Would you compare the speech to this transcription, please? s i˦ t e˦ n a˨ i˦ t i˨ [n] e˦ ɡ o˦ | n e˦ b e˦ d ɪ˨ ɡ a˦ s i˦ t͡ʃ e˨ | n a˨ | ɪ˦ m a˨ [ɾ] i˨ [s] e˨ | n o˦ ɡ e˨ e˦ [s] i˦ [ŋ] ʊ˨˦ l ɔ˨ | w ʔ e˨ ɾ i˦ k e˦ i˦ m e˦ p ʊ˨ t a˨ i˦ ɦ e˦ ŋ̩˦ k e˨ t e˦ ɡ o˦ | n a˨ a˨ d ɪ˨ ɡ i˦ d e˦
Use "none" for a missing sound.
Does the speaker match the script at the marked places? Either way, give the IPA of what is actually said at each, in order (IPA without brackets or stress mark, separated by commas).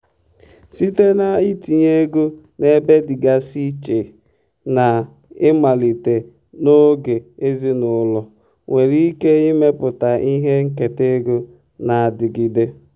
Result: ɲ, l, t, z, n